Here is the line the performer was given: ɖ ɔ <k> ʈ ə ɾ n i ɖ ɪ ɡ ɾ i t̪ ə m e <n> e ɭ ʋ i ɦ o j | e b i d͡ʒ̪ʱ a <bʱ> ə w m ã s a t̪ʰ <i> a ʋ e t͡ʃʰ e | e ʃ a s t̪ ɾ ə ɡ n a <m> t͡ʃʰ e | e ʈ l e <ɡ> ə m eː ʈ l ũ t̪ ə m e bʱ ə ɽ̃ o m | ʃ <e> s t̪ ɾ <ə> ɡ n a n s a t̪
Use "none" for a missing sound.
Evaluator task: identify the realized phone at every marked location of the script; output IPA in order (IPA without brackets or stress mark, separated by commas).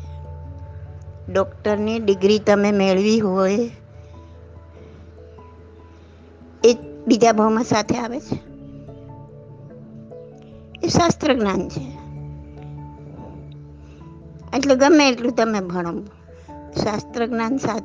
k, m, bʱ, e, n, ɡ, a, ə